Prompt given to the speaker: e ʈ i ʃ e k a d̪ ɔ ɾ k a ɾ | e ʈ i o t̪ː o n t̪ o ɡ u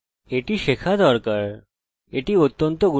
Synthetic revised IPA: e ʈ i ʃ e kʰ a d̪ ɔ ɾ k a ɾ | e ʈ i o t̪ː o n t̪ o ɡ u